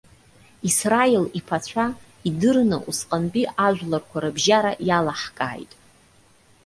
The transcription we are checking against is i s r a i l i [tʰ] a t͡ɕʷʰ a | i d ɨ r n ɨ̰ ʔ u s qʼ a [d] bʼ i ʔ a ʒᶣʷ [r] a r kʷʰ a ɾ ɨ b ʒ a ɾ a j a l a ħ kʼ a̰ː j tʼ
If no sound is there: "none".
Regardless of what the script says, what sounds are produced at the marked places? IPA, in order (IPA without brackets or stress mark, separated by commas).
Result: pʰ, n, l